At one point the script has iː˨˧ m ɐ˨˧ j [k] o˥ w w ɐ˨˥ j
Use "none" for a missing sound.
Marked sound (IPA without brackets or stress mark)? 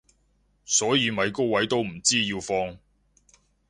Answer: k